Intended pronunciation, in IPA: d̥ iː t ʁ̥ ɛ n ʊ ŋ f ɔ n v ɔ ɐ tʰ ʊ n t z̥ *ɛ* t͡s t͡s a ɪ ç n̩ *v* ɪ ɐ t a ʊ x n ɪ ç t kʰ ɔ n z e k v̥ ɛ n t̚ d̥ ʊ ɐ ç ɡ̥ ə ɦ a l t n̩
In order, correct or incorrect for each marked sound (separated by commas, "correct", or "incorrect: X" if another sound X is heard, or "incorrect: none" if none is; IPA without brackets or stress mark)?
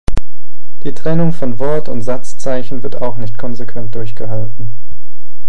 incorrect: a, correct